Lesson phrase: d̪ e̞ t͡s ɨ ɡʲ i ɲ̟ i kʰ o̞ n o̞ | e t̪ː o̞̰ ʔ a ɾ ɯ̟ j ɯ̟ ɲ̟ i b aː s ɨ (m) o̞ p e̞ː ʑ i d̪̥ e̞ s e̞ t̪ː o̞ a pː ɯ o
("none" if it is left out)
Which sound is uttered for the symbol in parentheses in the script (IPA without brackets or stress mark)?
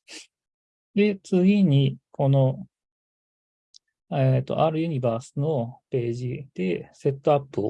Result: n